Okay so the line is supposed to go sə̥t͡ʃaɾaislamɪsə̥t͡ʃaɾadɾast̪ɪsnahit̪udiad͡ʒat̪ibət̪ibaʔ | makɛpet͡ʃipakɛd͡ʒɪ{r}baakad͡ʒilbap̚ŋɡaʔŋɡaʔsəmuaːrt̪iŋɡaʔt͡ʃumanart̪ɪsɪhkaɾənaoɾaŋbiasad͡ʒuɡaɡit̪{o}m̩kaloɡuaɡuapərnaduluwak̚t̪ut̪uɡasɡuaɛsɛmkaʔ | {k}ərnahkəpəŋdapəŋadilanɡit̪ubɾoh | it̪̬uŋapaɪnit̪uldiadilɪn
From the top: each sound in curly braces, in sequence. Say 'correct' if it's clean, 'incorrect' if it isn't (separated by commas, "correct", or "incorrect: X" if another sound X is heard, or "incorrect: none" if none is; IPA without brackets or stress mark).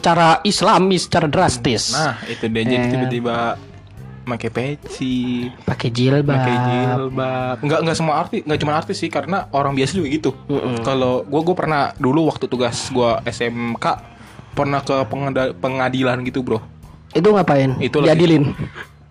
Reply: incorrect: l, incorrect: u, incorrect: p